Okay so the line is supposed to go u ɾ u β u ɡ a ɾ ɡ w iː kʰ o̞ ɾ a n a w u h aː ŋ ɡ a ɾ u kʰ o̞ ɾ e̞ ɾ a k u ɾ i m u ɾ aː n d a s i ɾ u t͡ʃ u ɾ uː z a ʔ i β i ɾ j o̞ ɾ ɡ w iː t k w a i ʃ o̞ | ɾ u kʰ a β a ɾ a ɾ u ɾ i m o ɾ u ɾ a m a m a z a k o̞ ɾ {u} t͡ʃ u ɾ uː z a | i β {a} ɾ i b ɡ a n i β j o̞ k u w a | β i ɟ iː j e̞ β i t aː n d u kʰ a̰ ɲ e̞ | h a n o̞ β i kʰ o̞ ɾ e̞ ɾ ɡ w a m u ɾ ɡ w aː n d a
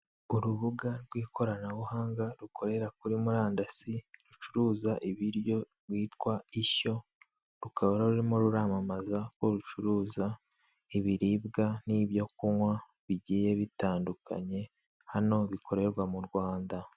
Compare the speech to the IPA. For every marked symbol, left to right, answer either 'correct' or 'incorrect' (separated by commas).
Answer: correct, incorrect